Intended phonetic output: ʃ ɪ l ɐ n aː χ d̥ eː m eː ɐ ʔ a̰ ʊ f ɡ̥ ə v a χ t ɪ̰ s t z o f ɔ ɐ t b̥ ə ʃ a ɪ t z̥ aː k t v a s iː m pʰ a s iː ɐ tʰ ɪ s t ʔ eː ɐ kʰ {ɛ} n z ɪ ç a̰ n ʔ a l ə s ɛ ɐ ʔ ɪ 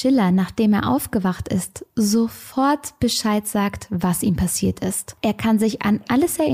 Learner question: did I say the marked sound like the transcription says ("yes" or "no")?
no